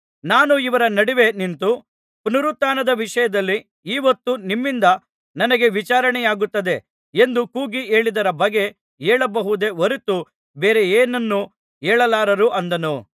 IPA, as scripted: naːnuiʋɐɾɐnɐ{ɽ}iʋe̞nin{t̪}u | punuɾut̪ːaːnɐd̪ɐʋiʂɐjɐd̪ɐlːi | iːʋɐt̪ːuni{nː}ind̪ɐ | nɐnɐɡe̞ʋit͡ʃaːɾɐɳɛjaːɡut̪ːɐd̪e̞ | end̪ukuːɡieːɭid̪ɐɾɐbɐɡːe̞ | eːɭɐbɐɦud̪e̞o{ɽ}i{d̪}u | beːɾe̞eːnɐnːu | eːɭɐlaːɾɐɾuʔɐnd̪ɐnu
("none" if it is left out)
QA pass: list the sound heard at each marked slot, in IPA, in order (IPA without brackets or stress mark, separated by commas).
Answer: ɽ, t̪, mː, ɾ, t̪